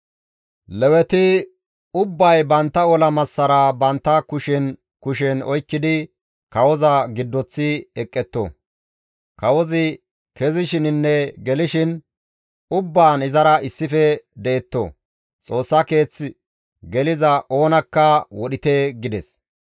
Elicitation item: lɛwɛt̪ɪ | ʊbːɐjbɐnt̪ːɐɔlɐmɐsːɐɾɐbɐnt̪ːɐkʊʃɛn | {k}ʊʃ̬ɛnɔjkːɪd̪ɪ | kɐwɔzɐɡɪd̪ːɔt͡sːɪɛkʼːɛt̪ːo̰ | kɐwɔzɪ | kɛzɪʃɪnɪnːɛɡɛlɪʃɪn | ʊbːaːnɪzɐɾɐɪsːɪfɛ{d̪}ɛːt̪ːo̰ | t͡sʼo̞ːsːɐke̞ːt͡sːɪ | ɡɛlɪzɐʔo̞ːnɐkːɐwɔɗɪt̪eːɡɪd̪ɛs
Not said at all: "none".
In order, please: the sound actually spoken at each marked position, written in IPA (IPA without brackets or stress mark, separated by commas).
k, d̪